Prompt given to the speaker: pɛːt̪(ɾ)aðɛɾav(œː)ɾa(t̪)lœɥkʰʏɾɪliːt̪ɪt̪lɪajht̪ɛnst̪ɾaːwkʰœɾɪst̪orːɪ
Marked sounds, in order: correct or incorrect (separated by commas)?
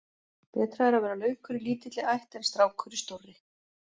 correct, incorrect, incorrect